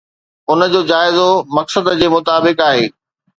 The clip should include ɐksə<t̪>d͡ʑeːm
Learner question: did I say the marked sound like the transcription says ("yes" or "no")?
no